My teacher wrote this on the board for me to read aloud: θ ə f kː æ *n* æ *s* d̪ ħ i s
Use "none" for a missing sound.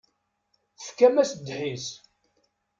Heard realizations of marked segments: m, s

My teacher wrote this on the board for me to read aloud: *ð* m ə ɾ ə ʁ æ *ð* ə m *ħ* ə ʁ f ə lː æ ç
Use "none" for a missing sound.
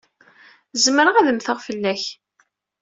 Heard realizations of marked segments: z, ð, θ

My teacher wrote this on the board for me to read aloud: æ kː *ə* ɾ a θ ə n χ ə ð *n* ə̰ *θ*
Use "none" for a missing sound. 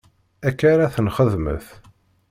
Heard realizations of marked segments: a, m, θ

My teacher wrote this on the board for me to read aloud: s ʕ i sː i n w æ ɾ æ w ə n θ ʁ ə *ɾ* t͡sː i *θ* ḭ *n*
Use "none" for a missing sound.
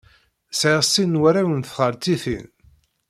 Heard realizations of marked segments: ɾ, θ, n

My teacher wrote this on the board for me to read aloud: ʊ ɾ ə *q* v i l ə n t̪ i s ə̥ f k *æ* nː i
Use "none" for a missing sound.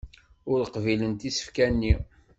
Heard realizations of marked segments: q, æ

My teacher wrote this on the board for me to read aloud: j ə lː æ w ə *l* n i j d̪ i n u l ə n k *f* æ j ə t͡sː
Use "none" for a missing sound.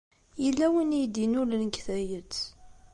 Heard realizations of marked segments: none, θ

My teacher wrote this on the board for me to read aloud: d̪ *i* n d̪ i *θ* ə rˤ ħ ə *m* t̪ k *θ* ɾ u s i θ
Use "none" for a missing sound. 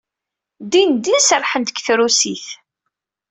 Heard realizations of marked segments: i, s, n, θ

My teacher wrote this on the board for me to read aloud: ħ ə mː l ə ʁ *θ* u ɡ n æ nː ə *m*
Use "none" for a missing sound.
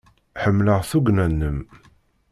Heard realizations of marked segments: θ, m

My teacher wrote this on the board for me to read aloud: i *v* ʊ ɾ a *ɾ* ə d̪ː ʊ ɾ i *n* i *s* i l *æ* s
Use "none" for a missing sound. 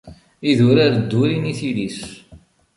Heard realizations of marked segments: ð, ɾ, n, θ, i

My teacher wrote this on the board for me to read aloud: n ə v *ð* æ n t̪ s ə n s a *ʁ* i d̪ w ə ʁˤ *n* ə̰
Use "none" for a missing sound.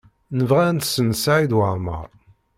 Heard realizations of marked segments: ʁ, ʕ, m

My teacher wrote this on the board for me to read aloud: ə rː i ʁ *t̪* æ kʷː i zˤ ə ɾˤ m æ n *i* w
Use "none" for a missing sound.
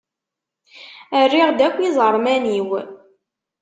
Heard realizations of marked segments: d̪, i

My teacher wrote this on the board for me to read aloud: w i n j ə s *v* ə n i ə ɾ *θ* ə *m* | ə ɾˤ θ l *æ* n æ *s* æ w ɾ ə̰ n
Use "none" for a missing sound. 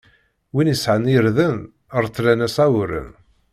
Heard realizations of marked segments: ʕ, ð, n, æ, s

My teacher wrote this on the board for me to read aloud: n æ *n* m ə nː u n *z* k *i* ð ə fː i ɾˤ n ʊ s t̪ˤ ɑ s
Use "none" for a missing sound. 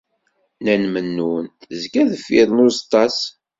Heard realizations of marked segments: n, z, æ

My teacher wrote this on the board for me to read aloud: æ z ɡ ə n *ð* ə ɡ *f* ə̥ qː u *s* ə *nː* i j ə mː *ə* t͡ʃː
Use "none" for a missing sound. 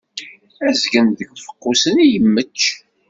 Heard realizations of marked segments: ð, f, s, n, ə

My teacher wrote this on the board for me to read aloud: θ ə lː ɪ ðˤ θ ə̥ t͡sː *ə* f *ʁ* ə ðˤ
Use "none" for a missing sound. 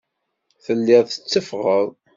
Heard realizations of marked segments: ə, ʁ

